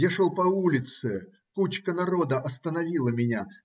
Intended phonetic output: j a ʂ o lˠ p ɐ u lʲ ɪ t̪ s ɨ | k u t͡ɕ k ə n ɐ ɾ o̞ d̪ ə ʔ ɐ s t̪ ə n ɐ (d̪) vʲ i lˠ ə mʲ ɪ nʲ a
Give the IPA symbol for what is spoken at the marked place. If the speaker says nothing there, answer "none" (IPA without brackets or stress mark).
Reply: none